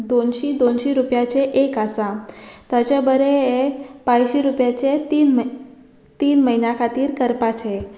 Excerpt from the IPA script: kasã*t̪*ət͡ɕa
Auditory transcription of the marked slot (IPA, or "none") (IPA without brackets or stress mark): t̪